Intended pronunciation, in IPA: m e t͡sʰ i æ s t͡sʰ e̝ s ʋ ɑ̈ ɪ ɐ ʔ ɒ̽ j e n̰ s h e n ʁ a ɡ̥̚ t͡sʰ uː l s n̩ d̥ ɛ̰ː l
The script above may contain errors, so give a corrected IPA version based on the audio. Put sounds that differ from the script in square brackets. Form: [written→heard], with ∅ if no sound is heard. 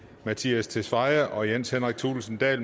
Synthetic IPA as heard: m [e→æ] t͡sʰ i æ s t͡sʰ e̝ s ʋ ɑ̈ ɪ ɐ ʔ ɒ̽ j e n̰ s h e n ʁ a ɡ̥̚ t͡sʰ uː l s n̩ d̥ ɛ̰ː l